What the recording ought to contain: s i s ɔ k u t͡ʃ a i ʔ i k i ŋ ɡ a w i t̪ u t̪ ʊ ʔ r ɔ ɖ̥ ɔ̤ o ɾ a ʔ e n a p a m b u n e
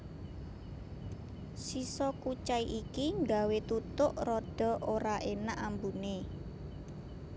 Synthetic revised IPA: s i s ɔ k u t͡ʃ a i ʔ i k i ŋ ɡ a w e t̪ u t̪ ʊ ʔ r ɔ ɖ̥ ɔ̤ o ɾ a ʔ e n a ʔ a m b u n e